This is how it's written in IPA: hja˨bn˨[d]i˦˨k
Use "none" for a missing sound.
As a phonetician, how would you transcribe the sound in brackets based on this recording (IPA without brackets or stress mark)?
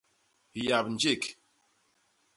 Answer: d͡ʒ